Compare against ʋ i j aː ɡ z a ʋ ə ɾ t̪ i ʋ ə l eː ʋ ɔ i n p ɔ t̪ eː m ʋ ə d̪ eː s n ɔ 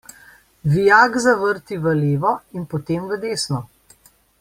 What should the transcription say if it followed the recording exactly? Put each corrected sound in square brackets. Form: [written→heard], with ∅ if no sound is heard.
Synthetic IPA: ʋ i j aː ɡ z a ʋ ə ɾ t̪ i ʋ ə l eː ʋ ɔ i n p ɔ t̪ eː m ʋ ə d̪ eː s n ɔ